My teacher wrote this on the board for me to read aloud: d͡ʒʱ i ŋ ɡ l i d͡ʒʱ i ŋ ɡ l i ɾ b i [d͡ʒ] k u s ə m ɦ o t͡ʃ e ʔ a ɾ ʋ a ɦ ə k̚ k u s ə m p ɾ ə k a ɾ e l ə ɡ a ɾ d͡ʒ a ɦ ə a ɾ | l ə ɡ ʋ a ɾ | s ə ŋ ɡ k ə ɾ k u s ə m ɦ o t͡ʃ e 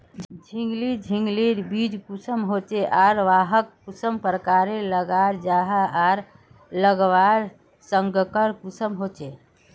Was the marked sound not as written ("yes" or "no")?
no